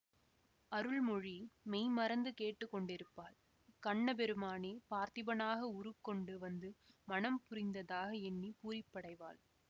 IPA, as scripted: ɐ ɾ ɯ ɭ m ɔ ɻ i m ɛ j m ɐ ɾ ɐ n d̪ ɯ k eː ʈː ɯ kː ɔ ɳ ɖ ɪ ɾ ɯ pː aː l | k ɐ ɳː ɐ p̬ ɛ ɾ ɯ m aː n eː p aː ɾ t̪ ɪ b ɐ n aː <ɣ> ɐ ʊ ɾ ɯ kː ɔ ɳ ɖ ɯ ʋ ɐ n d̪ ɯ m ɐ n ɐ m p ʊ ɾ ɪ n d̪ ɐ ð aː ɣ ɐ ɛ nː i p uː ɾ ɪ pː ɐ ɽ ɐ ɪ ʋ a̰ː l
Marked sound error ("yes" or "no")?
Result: no